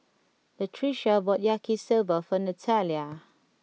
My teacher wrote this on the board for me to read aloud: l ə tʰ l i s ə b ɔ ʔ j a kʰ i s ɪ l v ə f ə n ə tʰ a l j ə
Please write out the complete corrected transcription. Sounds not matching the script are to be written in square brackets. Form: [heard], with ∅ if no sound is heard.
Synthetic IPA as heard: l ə tʰ [ɹ] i [ʃ] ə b ɔ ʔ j a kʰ i s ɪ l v ə f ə n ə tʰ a l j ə